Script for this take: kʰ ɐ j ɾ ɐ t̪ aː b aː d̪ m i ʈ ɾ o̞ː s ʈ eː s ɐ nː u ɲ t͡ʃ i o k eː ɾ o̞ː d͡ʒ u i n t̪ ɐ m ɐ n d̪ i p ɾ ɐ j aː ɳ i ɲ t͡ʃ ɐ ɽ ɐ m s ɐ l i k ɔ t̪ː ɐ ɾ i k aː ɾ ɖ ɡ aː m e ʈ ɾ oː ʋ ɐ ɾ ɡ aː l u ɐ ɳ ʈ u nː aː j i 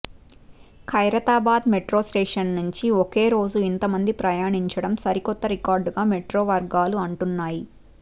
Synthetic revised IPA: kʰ ɐ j ɾ ɐ t̪ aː b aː d̪ m e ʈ ɾ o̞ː s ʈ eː ʂ ɐ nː u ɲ t͡ʃ i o k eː ɾ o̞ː d͡ʒ u i n t̪ ɐ m ɐ n d̪ i p ɾ ɐ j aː ɳ i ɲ t͡ʃ ɐ ɽ ɐ m s ɐ ɾ i k ɔ t̪ː ɐ ɾ i k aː ɾ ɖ ɡ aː m e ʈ ɾ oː ʋ ɐ ɾ ɡ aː l u ɐ ɳ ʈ u nː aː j i